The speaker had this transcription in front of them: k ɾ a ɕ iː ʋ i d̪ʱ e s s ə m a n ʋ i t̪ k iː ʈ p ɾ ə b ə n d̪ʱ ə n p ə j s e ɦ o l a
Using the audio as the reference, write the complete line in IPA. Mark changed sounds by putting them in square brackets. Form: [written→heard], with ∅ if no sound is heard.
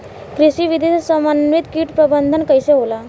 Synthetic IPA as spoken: k ɾ [a→i] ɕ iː ʋ i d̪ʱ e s s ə m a n ʋ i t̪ k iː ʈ p ɾ ə b ə n d̪ʱ ə n [p→k] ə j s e ɦ o l a